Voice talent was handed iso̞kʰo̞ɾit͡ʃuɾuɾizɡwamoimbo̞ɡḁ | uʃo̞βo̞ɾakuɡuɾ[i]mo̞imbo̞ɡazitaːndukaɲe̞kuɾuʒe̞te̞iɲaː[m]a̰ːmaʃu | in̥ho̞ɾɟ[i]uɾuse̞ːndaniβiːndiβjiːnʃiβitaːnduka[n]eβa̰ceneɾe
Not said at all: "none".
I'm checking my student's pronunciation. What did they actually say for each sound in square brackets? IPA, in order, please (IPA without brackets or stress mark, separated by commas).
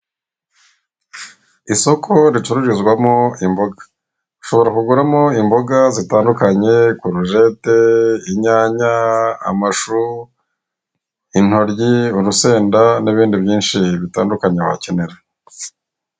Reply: a, ɲ, i, ɲ